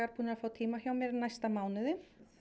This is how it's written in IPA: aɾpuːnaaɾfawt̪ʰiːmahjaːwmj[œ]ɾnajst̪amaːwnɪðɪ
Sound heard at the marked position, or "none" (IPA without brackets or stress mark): ɛ